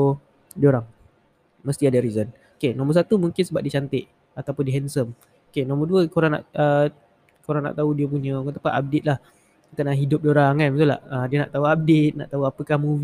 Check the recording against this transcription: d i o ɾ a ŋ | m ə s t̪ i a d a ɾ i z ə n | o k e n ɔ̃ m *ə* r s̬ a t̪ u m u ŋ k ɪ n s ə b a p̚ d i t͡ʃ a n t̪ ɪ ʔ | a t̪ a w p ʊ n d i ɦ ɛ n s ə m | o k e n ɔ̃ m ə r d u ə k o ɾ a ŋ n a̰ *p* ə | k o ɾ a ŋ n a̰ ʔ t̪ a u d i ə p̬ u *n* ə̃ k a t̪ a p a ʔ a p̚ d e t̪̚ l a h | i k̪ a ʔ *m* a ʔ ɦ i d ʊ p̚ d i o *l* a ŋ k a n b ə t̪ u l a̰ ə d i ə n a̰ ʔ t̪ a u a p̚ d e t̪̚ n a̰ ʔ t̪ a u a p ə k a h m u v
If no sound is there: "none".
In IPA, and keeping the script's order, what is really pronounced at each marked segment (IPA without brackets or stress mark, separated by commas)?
ə, ʔ, ɲ, n, ɾ